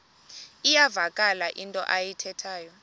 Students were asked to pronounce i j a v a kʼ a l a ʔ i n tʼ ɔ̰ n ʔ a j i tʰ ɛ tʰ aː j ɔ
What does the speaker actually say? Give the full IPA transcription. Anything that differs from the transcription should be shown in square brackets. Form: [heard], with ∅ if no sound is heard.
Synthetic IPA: i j a v a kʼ a l a ʔ i n tʼ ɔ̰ [∅] ʔ a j i tʰ ɛ tʰ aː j ɔ